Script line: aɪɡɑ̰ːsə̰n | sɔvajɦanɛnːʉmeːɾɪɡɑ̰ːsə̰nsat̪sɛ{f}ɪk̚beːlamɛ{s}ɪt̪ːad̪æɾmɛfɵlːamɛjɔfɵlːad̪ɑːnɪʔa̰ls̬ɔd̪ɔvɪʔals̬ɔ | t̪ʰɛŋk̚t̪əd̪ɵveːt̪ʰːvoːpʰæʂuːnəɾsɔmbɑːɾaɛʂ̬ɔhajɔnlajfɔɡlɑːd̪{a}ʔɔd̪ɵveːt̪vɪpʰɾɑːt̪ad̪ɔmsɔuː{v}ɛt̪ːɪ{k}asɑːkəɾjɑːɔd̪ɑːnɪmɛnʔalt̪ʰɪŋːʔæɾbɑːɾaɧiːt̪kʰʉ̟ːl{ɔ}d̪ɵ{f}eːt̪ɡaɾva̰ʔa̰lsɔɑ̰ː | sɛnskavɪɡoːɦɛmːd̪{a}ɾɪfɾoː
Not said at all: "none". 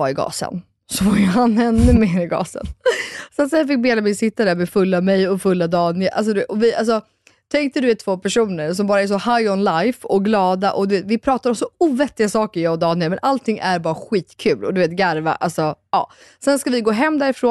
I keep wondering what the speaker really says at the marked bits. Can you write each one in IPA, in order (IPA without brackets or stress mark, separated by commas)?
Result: f, s, a, v, ɡ, ɔ, v, æ